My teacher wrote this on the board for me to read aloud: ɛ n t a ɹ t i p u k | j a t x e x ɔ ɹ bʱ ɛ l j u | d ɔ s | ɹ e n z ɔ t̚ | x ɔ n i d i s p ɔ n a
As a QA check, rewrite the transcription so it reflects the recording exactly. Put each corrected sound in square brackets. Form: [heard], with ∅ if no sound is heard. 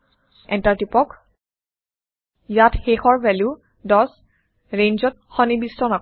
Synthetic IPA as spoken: ɛ n t a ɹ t i p [ɔ] k | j a t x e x ɔ ɹ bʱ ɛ l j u | d ɔ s | ɹ e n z ɔ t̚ | x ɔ n i [b] i s [t] ɔ n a